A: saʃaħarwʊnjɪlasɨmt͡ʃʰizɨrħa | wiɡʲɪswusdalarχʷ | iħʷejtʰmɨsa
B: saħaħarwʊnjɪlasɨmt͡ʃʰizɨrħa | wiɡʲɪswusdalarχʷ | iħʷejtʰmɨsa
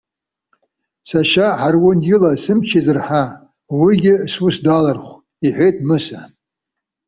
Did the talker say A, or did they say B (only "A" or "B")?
A